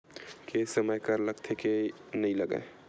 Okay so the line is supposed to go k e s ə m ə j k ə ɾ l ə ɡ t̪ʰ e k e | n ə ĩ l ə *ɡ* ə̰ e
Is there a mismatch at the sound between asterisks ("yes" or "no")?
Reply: no